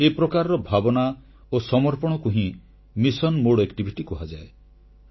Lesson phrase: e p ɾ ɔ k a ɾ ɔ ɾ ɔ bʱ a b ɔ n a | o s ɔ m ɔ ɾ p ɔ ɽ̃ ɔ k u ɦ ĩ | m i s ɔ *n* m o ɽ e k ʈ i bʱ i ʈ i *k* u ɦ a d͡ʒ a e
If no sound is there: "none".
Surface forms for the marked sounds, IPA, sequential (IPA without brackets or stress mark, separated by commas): n, k